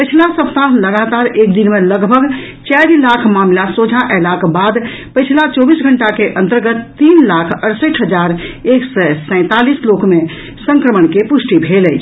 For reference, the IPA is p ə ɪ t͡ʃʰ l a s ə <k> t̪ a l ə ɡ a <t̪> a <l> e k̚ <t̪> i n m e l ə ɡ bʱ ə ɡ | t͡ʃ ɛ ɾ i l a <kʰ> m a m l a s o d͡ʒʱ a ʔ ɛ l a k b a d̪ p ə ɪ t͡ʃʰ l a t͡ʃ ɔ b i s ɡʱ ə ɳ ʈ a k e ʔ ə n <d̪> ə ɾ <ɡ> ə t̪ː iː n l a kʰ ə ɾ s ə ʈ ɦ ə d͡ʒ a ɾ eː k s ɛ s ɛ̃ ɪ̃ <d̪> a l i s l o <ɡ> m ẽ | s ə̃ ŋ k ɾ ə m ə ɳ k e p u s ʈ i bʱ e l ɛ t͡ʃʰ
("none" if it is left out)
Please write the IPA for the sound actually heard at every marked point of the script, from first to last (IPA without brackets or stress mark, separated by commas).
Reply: p, t̪, ɾ, d̪, kʰ, t̪, ɡ, t̪, k